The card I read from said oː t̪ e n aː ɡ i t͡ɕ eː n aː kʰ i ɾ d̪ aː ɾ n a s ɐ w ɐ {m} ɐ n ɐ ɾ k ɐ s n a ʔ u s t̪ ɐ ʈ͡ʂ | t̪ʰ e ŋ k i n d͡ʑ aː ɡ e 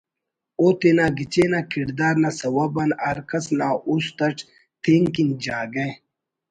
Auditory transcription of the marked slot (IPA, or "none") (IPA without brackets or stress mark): b